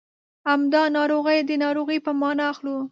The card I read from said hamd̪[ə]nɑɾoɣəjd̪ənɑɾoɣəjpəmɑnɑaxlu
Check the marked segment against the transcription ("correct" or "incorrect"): incorrect